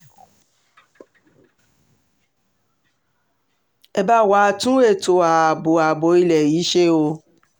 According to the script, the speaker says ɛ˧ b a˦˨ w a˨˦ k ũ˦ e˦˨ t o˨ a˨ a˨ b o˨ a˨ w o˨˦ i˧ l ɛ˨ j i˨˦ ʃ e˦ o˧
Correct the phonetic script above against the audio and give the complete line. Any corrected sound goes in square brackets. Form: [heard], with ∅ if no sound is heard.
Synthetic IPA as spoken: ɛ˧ b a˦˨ w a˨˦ [t] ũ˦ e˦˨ t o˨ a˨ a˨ b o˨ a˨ [b] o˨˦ i˧ l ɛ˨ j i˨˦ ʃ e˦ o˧